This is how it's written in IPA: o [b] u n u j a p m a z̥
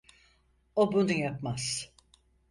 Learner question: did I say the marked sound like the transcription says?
yes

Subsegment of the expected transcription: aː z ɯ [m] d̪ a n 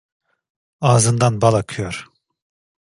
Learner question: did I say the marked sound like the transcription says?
no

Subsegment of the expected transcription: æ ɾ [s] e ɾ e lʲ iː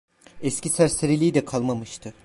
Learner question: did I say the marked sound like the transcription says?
yes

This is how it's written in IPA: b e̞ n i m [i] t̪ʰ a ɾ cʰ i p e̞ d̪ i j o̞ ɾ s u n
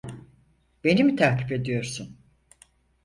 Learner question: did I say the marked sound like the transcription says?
yes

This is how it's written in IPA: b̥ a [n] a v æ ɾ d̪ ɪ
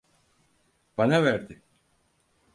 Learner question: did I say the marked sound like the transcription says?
yes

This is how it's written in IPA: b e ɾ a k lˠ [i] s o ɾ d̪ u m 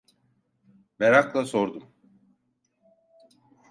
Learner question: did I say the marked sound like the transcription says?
no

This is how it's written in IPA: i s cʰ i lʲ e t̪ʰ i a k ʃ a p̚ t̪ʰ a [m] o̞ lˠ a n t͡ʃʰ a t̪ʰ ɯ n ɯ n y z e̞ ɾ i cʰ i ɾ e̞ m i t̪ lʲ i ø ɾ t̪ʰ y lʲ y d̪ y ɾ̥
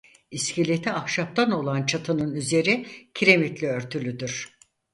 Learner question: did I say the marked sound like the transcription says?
no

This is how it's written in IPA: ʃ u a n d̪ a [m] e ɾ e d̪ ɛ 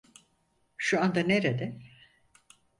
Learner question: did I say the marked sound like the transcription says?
no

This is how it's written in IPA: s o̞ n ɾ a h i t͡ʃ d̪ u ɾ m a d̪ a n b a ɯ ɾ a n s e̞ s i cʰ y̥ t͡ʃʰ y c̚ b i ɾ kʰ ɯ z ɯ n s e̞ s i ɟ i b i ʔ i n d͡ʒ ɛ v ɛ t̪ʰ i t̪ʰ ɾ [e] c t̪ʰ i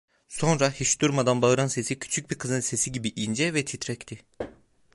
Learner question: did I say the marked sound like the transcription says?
no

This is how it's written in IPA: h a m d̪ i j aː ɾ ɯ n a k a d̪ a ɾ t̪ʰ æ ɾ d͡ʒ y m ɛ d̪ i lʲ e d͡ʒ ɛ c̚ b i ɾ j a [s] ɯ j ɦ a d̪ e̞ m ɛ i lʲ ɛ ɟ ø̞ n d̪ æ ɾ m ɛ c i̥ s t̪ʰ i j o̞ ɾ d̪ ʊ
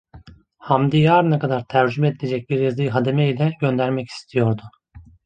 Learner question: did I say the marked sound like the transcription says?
no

